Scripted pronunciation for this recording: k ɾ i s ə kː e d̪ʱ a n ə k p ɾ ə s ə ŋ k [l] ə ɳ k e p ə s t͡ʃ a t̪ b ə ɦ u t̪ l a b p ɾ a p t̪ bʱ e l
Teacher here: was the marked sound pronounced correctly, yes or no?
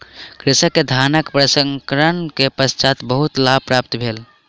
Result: no